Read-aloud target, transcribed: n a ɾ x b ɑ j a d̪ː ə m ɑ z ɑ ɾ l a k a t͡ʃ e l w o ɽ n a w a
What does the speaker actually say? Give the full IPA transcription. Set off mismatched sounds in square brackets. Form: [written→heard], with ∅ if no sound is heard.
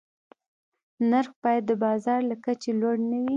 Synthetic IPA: n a ɾ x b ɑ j a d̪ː ə [m→b] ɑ z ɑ ɾ l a k a t͡ʃ e l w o ɽ n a w [a→i]